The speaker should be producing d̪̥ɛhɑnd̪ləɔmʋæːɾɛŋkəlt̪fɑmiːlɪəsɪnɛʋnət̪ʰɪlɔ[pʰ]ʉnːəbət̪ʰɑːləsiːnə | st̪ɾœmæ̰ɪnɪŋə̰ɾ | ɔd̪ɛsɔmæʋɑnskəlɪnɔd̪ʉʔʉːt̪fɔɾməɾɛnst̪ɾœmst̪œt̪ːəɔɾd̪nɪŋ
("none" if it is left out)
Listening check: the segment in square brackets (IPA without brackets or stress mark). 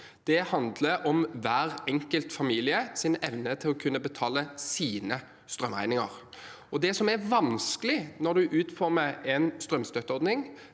kʰ